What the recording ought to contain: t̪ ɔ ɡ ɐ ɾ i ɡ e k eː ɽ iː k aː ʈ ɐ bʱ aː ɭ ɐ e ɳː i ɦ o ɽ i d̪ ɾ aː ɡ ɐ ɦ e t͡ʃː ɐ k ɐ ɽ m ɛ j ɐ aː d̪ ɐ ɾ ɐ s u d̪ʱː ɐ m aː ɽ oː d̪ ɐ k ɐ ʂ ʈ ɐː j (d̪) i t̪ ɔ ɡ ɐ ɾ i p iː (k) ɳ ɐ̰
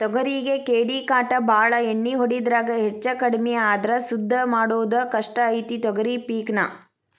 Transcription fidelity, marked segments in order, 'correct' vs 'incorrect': incorrect: t̪, correct

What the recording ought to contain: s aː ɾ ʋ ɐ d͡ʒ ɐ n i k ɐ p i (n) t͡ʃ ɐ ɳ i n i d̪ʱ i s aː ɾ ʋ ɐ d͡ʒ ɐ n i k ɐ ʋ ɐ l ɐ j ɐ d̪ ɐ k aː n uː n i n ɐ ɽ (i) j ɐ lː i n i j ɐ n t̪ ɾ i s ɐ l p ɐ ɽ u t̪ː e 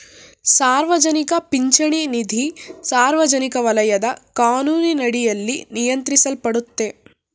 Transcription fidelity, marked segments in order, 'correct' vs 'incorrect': incorrect: ɲ, correct

